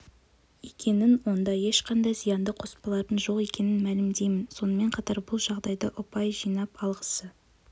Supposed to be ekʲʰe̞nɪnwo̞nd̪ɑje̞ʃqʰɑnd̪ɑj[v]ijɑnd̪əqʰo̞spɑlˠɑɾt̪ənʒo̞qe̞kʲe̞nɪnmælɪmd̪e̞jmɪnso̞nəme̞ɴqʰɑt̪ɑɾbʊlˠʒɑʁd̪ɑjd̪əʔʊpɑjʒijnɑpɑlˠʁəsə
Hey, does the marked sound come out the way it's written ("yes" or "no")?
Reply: no